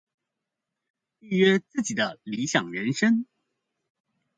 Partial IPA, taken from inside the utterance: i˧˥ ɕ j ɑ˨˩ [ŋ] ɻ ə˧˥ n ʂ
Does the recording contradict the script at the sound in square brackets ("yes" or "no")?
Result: no